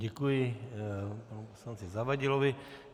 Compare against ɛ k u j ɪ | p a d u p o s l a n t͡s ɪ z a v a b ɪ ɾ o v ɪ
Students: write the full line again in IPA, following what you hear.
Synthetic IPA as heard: ɛ k u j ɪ | p a n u p o s l a n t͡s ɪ z a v a ɟ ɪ l o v ɪ